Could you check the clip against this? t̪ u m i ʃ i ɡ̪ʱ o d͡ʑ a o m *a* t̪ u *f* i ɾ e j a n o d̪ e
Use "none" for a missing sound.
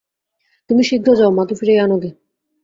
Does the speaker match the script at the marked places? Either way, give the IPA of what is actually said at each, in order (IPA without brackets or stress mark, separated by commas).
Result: a, f